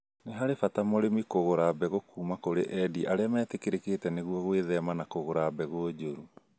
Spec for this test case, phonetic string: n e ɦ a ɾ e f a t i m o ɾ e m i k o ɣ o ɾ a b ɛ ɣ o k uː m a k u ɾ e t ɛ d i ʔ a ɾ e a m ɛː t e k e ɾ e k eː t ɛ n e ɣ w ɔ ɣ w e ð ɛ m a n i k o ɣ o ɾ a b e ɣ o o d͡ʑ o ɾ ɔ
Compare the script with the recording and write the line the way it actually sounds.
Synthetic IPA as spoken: n e ɦ a ɾ e f a t a m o ɾ e m i k o ɣ o ɾ a b ɛ ɣ o k uː m a k o ɾ e ʔ ɛ d i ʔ a ɾ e a m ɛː t e k e ɾ e k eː t ɛ n e ɣ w ɔ ɣ w e ð ɛ m a n a k o ɣ o ɾ a b ɛ ɣ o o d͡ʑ o ɾ u